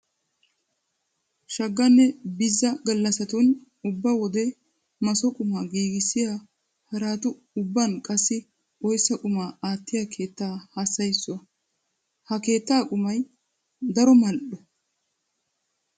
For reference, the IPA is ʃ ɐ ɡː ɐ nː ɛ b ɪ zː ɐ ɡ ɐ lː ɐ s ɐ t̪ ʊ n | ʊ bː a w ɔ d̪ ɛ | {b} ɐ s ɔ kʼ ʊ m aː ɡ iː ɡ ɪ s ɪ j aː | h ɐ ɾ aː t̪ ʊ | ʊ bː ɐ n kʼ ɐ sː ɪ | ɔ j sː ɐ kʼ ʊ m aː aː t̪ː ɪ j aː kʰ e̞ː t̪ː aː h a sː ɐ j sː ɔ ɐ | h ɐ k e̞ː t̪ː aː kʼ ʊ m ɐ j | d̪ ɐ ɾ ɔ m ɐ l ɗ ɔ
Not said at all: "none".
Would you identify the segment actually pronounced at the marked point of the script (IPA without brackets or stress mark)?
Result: m